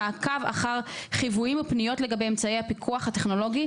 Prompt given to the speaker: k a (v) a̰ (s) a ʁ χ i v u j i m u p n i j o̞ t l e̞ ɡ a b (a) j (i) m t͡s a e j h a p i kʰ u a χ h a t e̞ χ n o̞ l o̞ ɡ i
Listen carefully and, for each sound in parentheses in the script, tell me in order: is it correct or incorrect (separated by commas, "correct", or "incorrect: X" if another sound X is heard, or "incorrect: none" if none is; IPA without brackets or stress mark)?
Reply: correct, incorrect: χ, incorrect: e, incorrect: e